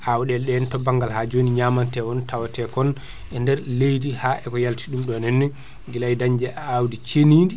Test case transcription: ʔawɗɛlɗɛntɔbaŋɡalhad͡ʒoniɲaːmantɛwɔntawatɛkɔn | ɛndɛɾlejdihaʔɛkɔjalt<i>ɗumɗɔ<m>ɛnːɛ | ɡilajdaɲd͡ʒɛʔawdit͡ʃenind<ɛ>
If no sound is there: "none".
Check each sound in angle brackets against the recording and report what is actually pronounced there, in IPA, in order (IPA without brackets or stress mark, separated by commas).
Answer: i, n, i